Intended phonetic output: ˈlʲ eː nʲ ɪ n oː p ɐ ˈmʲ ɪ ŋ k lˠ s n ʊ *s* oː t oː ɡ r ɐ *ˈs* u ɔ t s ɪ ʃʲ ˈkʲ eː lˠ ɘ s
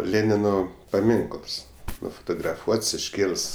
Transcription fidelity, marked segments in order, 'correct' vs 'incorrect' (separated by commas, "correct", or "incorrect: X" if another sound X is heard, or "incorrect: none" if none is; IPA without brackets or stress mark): incorrect: f, incorrect: f